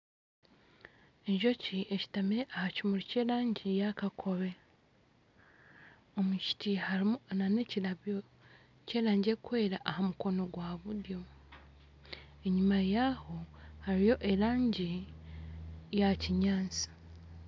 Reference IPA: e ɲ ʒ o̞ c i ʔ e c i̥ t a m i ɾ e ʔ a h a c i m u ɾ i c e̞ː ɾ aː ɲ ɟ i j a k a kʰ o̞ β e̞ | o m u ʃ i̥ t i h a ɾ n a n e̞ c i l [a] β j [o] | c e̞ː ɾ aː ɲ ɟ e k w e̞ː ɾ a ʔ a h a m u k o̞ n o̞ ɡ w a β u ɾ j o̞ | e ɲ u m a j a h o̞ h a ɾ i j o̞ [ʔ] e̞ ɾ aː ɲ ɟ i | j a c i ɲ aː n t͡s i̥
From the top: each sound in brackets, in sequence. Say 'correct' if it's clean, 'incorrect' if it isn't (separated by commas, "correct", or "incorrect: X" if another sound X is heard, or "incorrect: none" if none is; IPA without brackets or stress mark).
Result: correct, correct, correct